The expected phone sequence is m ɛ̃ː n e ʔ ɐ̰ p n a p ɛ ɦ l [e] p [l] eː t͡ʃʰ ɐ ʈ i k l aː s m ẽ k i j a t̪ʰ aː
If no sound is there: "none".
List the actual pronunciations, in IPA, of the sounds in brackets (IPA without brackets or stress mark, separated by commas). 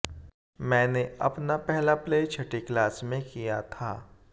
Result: a, l